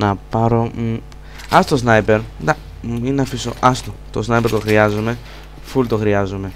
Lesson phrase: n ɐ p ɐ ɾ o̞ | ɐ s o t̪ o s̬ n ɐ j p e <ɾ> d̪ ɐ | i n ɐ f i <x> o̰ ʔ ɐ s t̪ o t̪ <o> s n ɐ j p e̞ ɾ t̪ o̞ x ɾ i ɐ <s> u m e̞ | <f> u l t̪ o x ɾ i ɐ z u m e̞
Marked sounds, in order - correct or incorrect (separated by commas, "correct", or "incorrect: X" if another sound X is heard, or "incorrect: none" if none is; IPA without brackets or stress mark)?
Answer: correct, incorrect: s, correct, incorrect: z, correct